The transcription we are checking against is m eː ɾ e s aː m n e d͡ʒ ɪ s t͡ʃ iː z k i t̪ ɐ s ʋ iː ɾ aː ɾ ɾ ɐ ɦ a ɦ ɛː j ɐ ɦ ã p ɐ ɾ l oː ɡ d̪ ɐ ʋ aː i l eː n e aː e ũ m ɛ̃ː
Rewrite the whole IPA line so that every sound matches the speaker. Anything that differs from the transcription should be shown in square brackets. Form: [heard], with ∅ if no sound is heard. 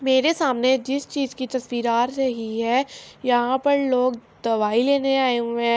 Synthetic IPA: m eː ɾ e s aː m n e d͡ʒ ɪ s t͡ʃ iː z k i t̪ ɐ s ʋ iː ɾ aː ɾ ɾ ɐ ɦ [i] ɦ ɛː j ɐ ɦ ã p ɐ ɾ l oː ɡ d̪ ɐ ʋ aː i l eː n e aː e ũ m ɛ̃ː